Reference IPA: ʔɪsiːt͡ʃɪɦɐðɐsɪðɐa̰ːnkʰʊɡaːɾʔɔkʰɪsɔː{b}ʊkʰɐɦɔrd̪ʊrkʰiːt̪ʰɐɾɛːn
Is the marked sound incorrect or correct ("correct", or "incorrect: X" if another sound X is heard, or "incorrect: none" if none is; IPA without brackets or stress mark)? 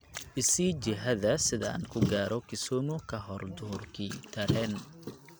incorrect: m